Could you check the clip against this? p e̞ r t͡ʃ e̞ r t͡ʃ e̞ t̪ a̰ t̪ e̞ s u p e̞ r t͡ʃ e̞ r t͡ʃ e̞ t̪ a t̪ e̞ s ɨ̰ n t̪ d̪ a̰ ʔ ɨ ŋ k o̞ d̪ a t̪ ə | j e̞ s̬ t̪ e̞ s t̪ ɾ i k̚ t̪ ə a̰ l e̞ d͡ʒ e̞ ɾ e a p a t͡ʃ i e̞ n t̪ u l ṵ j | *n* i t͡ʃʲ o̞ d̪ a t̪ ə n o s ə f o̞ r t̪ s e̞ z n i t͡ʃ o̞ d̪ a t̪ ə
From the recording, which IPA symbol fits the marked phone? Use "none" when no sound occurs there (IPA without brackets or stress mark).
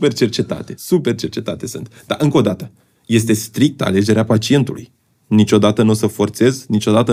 n